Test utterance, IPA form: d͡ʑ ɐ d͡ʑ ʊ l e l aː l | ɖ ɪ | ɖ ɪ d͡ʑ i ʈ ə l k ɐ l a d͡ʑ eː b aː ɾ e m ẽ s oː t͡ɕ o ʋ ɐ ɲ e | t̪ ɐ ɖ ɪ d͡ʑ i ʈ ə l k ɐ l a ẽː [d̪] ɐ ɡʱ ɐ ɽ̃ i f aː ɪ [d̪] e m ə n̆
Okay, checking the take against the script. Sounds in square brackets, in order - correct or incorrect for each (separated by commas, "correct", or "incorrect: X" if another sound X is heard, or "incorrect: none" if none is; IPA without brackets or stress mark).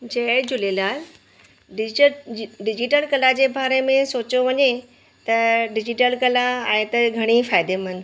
incorrect: t̪, correct